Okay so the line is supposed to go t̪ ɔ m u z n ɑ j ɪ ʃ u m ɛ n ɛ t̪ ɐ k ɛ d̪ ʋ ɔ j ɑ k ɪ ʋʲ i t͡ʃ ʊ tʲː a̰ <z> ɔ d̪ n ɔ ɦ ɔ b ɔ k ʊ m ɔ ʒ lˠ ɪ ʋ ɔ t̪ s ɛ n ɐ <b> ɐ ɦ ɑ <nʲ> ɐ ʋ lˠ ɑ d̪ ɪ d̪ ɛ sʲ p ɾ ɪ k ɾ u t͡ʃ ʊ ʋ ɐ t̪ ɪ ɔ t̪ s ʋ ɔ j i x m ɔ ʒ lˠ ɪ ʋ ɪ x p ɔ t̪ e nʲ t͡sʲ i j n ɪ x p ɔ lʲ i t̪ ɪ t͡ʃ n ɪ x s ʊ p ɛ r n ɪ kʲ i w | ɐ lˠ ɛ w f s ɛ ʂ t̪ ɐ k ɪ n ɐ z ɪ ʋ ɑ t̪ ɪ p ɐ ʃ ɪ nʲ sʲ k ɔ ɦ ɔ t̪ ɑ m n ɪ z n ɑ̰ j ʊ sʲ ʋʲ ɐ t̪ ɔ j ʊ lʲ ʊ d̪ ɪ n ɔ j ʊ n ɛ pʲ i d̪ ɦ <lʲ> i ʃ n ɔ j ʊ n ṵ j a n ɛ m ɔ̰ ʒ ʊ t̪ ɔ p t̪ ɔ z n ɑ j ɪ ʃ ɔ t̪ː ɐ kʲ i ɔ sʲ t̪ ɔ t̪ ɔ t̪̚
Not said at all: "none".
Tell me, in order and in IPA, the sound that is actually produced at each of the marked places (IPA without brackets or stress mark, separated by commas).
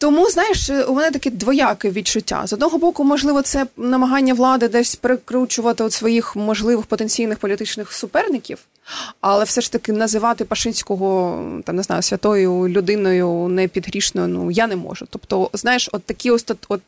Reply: z, m, nʲː, ɾʲ